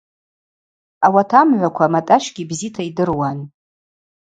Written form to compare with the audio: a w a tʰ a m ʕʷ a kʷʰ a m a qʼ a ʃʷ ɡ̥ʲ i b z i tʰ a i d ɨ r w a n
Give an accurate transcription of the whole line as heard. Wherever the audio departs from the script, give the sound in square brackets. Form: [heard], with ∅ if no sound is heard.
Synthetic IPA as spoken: a w a tʰ a m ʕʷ a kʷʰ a m a [tʼ] a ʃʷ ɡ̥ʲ i b z i tʰ a i d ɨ r w a n